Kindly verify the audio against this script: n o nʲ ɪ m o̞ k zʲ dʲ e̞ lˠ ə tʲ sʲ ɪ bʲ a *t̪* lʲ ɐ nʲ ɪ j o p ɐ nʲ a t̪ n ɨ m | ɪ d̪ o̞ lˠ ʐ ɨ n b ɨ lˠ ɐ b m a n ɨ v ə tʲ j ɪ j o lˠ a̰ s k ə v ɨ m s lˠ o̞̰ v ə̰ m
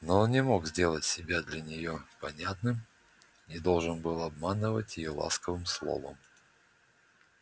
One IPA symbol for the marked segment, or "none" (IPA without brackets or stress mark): d̪